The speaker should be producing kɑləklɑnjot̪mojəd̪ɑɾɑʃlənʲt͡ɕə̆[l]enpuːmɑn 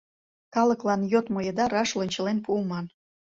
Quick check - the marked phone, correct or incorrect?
correct